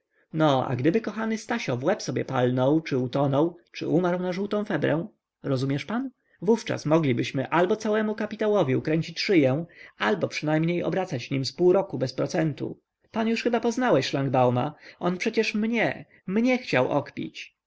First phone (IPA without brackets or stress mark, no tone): n